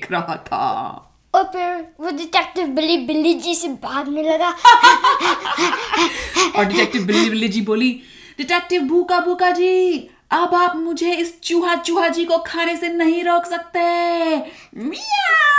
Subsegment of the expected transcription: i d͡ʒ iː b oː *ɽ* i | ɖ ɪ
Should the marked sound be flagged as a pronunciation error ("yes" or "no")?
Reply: yes